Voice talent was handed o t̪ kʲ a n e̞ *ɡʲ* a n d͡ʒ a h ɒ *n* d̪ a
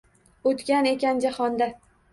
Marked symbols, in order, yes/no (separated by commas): no, yes